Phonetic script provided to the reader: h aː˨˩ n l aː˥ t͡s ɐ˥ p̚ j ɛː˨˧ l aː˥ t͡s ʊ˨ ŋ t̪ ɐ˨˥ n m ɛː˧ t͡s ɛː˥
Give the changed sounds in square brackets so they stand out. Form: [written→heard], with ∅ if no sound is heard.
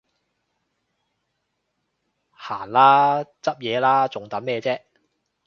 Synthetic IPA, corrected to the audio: h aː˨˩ n l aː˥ t͡s ɐ˥ p̚ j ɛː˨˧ l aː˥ t͡s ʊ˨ ŋ t̪ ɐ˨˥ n m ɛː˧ t͡s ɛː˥

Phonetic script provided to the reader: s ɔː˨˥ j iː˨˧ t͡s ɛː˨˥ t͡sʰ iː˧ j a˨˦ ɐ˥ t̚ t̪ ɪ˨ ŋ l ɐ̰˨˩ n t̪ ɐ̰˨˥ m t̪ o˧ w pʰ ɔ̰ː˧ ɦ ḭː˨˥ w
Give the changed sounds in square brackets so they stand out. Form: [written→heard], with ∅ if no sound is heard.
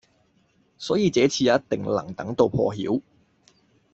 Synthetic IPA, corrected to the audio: s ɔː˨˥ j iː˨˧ t͡s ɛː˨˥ t͡sʰ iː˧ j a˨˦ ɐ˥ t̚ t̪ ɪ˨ ŋ l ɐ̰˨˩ [n→ŋ] t̪ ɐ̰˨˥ [m→ŋ] t̪ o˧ w pʰ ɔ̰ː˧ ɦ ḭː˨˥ w

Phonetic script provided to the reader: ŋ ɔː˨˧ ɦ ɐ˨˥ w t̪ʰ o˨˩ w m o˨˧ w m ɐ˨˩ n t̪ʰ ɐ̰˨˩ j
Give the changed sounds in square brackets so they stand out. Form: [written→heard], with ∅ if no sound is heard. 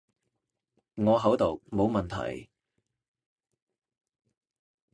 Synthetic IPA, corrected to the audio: ŋ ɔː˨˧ ɦ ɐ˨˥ w [t̪ʰ→t̪] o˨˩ w m o˨˧ w m ɐ˨˩ n t̪ʰ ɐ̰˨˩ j

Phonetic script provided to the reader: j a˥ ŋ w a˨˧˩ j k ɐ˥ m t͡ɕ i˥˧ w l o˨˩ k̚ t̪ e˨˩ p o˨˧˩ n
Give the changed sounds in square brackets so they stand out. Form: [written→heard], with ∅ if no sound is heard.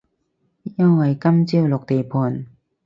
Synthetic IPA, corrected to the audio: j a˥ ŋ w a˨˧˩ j k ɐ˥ m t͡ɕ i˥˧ w l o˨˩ k̚ t̪ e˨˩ [p→pʰ] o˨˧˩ n

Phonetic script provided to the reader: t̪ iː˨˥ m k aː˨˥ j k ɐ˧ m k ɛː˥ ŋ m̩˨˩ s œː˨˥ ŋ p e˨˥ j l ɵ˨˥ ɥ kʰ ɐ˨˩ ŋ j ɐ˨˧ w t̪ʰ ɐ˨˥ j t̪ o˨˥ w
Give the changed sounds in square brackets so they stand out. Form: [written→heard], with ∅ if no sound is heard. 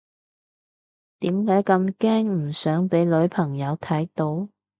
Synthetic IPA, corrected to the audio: t̪ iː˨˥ m k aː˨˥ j k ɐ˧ m k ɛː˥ ŋ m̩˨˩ s œː˨˥ ŋ p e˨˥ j l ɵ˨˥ ɥ [kʰ→pʰ] ɐ˨˩ ŋ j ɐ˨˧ w t̪ʰ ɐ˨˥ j t̪ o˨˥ w

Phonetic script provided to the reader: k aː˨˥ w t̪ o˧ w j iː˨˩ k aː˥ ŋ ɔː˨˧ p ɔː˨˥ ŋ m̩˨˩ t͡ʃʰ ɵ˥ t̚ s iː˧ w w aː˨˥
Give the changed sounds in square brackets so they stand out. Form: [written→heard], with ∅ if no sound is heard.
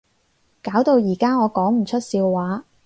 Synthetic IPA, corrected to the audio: k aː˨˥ w t̪ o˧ w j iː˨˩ k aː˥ ŋ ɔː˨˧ [p→k] ɔː˨˥ ŋ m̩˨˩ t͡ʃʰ ɵ˥ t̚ s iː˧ w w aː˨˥

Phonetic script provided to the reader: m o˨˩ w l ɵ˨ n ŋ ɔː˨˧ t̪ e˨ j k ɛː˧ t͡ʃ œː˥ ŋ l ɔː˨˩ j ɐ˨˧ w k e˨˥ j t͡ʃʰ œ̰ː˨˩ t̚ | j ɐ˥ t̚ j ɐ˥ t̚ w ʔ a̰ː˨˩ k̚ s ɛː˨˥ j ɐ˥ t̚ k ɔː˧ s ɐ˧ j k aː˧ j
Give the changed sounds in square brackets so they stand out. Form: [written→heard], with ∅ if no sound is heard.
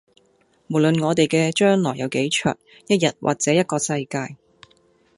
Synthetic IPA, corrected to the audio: m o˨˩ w l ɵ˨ n ŋ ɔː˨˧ t̪ e˨ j k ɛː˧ t͡ʃ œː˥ ŋ l ɔː˨˩ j ɐ˨˧ w k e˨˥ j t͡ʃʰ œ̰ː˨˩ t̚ | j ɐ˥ t̚ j [ɐ˥→ɐ˨] t̚ w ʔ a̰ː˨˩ k̚ [s→t͡s] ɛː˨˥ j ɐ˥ t̚ k ɔː˧ s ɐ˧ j k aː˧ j

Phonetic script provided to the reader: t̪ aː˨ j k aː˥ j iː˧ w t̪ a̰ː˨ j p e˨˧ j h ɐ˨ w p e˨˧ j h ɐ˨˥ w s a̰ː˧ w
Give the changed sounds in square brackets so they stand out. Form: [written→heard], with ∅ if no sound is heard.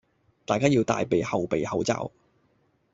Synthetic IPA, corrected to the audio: t̪ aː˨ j k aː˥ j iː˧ w t̪ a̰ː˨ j p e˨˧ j h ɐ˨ w p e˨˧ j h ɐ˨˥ w [s→t͡s] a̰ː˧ w

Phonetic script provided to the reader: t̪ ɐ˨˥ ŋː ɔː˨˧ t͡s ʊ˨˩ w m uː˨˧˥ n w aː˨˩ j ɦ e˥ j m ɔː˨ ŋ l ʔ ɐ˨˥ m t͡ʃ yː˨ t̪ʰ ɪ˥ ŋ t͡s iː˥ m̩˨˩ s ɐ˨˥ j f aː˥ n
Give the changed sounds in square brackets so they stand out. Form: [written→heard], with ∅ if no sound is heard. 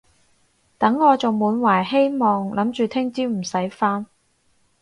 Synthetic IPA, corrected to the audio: t̪ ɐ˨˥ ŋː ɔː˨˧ t͡s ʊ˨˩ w m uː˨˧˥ n w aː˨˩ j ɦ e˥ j m ɔː˨ ŋ l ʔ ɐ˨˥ m t͡ʃ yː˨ t̪ʰ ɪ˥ ŋ t͡s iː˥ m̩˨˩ s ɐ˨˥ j f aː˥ n

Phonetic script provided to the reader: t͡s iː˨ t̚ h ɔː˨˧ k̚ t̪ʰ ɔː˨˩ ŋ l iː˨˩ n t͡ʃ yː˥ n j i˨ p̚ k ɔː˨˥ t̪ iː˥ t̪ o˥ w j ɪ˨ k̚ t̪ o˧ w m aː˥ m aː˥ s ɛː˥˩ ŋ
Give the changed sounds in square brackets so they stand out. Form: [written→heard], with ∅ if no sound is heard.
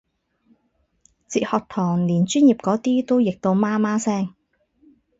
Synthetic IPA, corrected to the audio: t͡s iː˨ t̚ h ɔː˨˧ k̚ t̪ʰ ɔː˨˩ ŋ l iː˨˩ n t͡ʃ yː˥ n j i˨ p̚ k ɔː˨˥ t̪ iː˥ t̪ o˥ w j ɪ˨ k̚ t̪ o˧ w m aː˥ m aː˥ s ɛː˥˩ ŋ

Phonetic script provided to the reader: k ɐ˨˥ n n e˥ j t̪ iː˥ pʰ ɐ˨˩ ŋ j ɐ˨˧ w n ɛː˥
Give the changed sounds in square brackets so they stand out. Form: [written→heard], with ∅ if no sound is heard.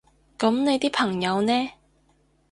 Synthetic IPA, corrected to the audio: k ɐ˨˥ [n→m] n [e˥→e˨˧] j t̪ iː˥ pʰ ɐ˨˩ ŋ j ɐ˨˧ w n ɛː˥

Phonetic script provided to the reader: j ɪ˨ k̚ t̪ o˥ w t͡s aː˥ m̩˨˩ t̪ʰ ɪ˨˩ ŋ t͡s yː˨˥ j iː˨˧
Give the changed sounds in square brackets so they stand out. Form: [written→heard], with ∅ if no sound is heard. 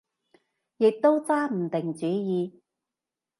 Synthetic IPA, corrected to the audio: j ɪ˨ k̚ t̪ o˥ w t͡s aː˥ m̩˨˩ [t̪ʰ→t̪] ɪ˨˩ ŋ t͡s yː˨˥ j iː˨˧

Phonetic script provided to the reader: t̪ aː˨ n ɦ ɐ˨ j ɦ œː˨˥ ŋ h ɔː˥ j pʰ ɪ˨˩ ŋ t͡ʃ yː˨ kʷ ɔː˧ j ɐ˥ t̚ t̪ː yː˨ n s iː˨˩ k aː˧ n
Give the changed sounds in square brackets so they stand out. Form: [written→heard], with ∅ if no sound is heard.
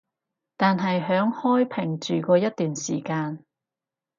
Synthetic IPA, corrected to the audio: t̪ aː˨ n ɦ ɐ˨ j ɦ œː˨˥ ŋ h ɔː˥ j pʰ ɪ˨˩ ŋ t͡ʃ yː˨ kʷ ɔː˧ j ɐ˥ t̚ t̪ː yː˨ n s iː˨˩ k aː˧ n

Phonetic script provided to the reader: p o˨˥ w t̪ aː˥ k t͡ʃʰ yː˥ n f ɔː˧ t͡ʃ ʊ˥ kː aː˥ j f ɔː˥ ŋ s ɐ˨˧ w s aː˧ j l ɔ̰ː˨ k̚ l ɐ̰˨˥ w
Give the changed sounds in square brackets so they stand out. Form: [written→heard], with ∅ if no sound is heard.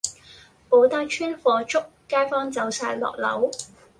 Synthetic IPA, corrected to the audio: p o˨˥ w t̪ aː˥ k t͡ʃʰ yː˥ n f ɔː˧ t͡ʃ ʊ˥ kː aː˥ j f ɔː˥ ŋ [s→t͡s] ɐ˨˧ w s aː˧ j l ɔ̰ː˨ k̚ l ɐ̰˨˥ w

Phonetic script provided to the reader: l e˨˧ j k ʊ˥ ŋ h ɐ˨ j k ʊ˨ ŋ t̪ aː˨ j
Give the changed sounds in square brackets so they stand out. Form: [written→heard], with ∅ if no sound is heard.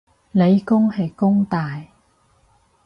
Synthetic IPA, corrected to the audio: l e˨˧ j k ʊ˥ ŋ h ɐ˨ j k [ʊ˨→ʊ˥] ŋ t̪ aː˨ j

